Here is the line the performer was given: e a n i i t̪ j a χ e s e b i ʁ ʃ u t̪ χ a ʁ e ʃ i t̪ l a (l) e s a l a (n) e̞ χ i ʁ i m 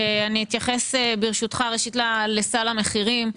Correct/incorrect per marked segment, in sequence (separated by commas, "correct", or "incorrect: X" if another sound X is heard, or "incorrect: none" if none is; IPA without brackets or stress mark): correct, incorrect: m